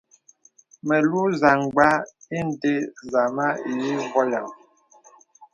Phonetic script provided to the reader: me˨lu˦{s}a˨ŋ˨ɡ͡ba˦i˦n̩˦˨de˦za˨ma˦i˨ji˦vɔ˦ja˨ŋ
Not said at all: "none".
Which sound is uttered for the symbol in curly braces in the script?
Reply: z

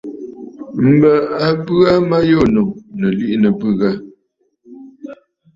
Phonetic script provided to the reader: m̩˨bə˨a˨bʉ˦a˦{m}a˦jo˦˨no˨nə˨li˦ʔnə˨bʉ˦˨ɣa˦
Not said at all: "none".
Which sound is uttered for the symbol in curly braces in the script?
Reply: m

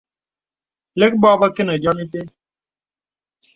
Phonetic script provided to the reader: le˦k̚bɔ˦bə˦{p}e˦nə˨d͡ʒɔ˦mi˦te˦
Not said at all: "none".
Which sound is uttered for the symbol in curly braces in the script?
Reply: k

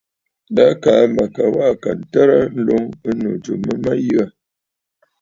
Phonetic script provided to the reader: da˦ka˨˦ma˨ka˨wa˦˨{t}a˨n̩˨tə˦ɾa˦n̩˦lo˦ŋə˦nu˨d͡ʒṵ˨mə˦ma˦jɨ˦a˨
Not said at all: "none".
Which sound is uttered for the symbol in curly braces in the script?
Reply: k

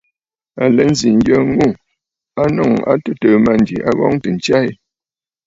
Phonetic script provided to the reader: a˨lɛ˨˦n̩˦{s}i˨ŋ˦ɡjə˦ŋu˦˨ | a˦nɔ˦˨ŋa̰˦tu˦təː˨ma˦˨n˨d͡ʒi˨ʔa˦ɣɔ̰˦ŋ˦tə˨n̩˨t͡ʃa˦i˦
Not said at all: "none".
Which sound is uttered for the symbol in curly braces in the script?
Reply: z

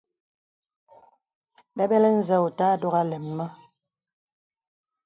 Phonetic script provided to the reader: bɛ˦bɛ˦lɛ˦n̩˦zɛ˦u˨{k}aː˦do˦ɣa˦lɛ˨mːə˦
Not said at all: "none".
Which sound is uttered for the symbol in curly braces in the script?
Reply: t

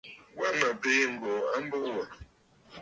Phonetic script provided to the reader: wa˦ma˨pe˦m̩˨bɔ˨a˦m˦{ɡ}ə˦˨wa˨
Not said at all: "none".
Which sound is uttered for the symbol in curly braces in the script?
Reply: b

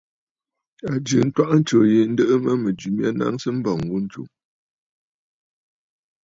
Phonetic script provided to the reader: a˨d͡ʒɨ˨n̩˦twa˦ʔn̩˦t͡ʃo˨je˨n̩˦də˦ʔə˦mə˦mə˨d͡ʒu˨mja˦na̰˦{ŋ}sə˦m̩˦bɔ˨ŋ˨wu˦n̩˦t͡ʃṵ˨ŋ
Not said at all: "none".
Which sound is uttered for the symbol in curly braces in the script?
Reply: ŋ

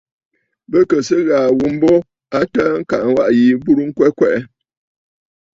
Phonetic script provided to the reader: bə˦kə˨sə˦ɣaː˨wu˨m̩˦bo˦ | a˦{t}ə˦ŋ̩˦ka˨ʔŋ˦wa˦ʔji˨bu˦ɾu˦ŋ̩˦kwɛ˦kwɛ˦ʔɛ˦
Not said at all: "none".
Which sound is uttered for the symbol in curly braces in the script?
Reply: t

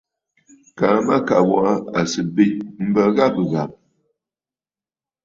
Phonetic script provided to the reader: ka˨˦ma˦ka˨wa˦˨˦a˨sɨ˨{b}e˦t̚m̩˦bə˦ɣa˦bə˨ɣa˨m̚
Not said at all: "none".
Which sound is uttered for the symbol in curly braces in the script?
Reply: b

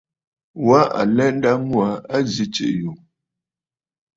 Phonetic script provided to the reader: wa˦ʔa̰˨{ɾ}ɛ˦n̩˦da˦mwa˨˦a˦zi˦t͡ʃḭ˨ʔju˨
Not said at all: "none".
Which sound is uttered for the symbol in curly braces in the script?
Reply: l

